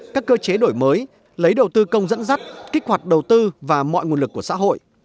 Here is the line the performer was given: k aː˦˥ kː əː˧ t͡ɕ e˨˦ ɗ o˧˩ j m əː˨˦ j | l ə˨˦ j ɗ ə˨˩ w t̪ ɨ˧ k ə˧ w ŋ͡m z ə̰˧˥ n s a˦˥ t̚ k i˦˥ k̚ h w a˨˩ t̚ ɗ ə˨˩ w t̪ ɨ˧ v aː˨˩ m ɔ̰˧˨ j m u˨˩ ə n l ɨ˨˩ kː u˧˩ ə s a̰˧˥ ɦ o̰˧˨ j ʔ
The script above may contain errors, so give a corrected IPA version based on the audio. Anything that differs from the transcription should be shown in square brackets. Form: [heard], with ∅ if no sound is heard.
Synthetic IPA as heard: k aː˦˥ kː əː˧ t͡ɕ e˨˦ ɗ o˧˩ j m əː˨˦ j | l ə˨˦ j ɗ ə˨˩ w t̪ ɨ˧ k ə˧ w ŋ͡m z ə̰˧˥ n [z] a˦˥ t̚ k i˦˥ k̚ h w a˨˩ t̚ ɗ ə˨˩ w t̪ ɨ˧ v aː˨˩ m ɔ̰˧˨ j [ŋ] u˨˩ ə n l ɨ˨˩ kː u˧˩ ə s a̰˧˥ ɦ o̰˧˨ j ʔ